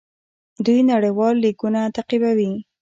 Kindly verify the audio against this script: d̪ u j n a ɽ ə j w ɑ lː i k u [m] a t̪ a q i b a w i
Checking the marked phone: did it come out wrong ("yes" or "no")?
yes